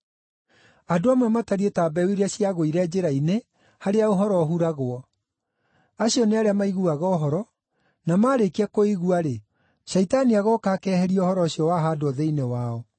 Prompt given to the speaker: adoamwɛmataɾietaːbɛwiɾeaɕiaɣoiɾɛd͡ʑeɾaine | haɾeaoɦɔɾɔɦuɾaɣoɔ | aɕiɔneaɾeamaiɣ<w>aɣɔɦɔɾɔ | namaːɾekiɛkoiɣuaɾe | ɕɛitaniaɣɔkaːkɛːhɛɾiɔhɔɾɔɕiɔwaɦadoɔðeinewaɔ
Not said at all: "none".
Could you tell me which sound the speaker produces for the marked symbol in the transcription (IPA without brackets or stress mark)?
u